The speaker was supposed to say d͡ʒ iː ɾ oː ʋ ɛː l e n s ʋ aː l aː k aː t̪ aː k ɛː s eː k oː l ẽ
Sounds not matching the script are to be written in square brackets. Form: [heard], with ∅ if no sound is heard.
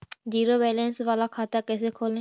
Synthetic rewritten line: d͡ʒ iː ɾ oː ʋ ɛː l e n s ʋ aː l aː [kʰ] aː t̪ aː k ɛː s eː [kʰ] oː l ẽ